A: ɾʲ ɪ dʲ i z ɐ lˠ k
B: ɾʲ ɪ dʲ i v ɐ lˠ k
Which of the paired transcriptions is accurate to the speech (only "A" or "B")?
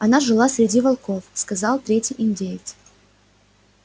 B